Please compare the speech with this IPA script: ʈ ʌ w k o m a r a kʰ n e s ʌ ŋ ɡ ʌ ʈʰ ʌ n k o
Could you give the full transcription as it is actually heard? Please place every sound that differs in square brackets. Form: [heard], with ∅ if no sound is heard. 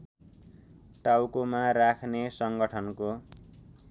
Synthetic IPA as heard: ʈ [a] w k o m a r a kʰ n e s ʌ ŋ ɡ ʌ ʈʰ ʌ n k o